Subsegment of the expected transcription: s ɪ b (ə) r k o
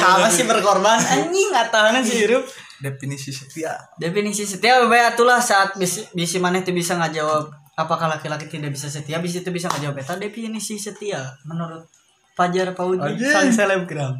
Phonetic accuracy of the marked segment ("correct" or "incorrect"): correct